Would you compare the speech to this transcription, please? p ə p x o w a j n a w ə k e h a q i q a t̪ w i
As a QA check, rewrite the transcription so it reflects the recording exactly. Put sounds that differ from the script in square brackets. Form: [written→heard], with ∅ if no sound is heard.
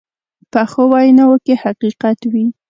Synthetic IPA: p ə [p→∅] x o w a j n a w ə k e h a q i q a t̪ w i